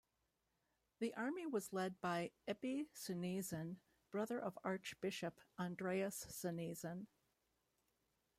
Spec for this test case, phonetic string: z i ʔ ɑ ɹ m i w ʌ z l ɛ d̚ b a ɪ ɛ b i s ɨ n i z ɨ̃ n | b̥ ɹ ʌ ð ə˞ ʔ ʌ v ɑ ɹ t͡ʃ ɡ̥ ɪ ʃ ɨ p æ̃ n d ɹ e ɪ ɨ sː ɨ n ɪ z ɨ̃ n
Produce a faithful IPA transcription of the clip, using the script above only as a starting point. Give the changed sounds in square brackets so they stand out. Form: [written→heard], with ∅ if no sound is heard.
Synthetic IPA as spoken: [z→ð] i ʔ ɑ ɹ m i w ʌ z l ɛ d̚ b a ɪ ɛ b i s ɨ n i z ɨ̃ n | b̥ ɹ ʌ ð ə˞ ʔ ʌ v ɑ ɹ t͡ʃ [ɡ̥→b̥] ɪ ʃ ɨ p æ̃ n d ɹ e ɪ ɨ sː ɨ n [ɪ→i] z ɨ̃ n

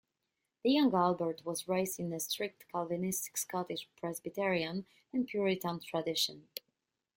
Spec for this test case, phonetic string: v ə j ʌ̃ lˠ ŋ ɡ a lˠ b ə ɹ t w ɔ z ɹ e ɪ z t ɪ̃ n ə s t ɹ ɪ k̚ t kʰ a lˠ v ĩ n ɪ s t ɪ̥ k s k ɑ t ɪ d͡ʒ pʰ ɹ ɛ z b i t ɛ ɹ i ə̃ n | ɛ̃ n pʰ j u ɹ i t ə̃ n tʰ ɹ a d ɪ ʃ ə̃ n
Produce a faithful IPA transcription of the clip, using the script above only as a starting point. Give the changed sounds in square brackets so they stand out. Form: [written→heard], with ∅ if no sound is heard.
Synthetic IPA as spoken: [v→ð] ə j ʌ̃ [lˠ→∅] ŋ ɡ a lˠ b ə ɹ t w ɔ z ɹ e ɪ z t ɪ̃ n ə s t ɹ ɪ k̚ t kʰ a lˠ v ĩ n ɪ s t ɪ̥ k s k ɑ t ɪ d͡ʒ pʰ ɹ ɛ z b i t ɛ ɹ i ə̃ n | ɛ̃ n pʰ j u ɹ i t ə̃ n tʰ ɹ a d ɪ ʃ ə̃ n

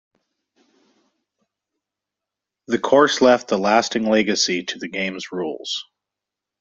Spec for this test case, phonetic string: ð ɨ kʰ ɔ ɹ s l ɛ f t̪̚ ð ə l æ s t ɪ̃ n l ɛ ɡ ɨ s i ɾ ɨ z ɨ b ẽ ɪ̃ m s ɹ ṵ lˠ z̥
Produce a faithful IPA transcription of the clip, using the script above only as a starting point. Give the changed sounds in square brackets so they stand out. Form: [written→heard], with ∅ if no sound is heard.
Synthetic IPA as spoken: ð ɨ kʰ ɔ ɹ s l ɛ f t̪̚ ð ə l æ s t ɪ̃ [n→ŋ] l ɛ ɡ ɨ s i ɾ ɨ [z→ð] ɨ [b→ɡ] ẽ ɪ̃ m [s→z] ɹ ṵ lˠ z̥

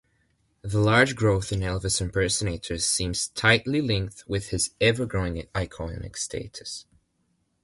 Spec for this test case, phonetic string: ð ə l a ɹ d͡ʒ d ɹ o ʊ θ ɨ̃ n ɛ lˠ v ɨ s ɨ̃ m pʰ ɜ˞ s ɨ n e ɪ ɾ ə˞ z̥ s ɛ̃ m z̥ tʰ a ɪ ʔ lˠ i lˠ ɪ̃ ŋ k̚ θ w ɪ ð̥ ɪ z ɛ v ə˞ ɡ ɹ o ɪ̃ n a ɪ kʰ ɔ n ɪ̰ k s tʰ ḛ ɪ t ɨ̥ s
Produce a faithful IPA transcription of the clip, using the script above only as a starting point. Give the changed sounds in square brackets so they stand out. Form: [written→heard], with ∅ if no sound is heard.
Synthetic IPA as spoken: ð ə l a ɹ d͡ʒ [d→ɡ] ɹ o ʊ θ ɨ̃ n ɛ lˠ v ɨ s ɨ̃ m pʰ ɜ˞ s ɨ n e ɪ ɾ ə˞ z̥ s [ɛ̃→ĩ] m z̥ tʰ a ɪ ʔ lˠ i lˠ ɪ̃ ŋ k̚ θ w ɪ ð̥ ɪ z ɛ v ə˞ ɡ ɹ o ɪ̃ [n→ŋ] a ɪ kʰ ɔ n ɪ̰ k s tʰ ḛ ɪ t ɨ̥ s

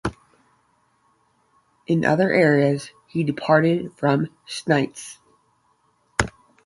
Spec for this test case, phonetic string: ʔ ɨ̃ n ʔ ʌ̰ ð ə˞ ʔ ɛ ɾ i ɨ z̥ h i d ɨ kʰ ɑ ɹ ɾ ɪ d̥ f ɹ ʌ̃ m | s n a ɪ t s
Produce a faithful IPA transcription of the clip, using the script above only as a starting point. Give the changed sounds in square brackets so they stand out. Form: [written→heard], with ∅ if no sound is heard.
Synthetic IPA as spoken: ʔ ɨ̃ n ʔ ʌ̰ ð ə˞ ʔ ɛ [ɾ→ɹ] i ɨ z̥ h i d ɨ [kʰ→pʰ] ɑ ɹ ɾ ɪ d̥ f ɹ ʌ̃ m | s n a ɪ t s

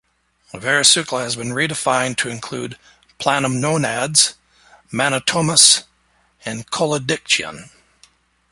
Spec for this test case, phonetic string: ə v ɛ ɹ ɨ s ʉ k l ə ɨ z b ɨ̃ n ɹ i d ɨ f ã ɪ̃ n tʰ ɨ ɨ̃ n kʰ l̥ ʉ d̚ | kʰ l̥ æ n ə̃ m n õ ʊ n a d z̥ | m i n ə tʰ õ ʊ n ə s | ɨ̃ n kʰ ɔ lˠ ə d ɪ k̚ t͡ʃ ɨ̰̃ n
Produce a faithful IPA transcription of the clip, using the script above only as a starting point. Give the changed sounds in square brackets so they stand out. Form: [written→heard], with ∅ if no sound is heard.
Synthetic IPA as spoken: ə v ɛ ɹ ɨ s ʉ k l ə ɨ z b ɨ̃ n ɹ i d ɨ f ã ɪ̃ n tʰ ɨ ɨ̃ n kʰ l̥ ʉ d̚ | [kʰ→pʰ] l̥ æ n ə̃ m n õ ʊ n [a→æ] d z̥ | m [i→æ] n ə tʰ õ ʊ [n→m] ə s | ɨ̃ n kʰ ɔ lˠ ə d ɪ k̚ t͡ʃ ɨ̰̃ n

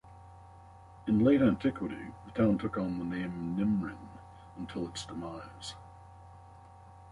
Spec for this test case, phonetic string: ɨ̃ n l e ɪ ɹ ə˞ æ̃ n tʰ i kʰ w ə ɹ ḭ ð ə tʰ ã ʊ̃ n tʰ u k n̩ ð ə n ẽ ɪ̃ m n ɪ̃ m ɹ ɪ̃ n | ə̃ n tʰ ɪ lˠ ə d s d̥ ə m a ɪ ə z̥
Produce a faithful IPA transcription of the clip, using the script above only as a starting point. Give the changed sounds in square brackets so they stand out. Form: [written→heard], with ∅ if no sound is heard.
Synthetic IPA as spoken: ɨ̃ n l e ɪ [ɹ→ɾ] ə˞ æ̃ n tʰ [i→ɪ] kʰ w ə [ɹ→ɾ] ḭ ð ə tʰ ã ʊ̃ n tʰ [u→ʊ] k n̩ ð ə n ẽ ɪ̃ m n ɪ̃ m ɹ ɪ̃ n | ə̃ n tʰ ɪ lˠ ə [d→t] s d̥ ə m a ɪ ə z̥

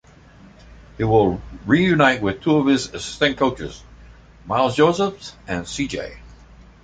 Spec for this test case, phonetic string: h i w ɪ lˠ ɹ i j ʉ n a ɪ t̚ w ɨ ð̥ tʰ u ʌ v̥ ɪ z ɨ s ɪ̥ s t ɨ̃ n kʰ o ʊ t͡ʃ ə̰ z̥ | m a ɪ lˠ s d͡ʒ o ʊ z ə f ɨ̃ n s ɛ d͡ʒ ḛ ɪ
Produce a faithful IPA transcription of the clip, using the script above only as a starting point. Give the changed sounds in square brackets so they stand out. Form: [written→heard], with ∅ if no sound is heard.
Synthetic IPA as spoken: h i w ɪ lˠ ɹ i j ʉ n a ɪ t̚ w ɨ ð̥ tʰ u ʌ v̥ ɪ z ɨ s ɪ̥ s t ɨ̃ n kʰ o ʊ t͡ʃ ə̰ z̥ | m a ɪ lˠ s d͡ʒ o ʊ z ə f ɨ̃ n s [ɛ→i] d͡ʒ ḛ ɪ

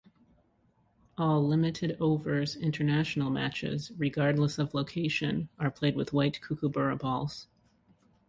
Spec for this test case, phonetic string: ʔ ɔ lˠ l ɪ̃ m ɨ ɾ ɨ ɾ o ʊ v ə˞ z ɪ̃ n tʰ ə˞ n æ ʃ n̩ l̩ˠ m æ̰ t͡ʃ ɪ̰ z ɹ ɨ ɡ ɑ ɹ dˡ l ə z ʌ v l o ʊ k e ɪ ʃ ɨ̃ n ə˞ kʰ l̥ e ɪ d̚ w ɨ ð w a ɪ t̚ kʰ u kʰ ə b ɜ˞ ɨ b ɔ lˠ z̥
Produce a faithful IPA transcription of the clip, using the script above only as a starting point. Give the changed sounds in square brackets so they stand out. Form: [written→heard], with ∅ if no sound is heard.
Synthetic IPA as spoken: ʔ ɔ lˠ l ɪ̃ m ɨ ɾ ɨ ɾ o ʊ v ə˞ z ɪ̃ n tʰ ə˞ n æ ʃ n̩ l̩ˠ m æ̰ t͡ʃ ɪ̰ z ɹ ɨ ɡ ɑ ɹ dˡ l ə [z→s] ʌ v l o ʊ [k→kʰ] e ɪ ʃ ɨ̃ n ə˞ [kʰ→pʰ] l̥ e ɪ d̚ w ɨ ð w a ɪ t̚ kʰ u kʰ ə b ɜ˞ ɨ b ɔ lˠ z̥

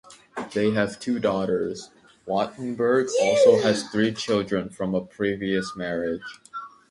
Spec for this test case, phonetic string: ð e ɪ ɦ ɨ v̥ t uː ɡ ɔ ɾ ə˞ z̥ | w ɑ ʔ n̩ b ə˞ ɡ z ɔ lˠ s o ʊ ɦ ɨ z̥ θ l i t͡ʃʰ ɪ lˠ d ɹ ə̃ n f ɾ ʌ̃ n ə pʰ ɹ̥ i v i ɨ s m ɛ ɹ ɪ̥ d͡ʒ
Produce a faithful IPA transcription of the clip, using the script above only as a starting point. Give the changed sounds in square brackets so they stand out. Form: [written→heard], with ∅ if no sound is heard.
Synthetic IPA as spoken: ð e ɪ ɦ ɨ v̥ [t→tʰ] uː [ɡ→d] ɔ ɾ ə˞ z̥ | w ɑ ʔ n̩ b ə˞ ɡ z ɔ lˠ s o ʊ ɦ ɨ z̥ θ [l→ɹ] i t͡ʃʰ ɪ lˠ d ɹ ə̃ n f [ɾ→ɹ] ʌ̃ [n→m] ə pʰ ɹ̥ i v i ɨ s m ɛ ɹ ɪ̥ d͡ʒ

